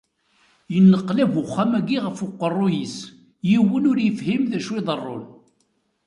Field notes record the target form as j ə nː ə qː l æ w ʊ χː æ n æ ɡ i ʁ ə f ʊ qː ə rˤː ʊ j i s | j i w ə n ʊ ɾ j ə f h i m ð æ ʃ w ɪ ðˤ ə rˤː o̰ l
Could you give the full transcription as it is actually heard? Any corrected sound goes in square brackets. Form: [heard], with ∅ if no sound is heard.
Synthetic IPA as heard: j ə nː ə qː l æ [v] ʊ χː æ [m] æ ɡ i ʁ ə f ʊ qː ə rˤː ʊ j i s | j i w ə n ʊ ɾ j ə f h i m ð æ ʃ w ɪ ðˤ ə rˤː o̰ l